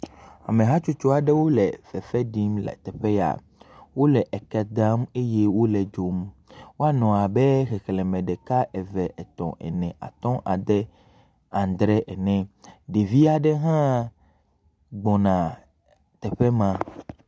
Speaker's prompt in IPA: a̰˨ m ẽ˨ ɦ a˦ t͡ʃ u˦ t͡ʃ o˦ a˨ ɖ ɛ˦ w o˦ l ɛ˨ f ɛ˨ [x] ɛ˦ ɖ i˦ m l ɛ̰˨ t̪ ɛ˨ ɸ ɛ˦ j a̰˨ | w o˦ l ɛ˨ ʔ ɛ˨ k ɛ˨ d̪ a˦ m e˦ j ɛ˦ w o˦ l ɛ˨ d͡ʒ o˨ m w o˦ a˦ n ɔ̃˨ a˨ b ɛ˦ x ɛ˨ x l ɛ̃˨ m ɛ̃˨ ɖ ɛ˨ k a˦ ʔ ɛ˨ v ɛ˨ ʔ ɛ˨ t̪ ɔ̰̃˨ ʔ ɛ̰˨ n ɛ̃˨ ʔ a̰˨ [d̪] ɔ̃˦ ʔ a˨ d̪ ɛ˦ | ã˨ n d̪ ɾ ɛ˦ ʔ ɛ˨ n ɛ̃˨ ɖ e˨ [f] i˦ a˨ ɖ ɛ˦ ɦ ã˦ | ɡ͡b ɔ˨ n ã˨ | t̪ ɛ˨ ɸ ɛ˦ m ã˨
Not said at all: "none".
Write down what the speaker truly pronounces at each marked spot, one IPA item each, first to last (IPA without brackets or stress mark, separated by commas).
f, t̪, v